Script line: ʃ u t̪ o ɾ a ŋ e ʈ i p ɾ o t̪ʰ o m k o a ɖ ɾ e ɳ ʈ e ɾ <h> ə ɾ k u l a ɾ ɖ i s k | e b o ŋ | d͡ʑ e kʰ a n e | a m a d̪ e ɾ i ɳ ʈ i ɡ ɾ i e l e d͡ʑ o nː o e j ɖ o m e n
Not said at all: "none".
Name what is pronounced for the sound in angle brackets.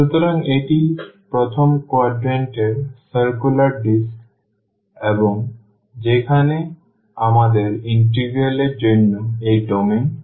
s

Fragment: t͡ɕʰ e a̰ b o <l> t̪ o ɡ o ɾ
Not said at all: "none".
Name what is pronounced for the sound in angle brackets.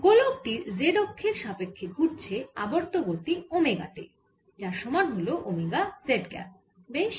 ɾ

